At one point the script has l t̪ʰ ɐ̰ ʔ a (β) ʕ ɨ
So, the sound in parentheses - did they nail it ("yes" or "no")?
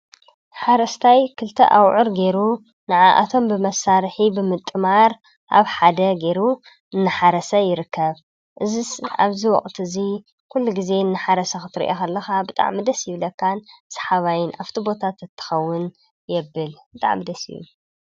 no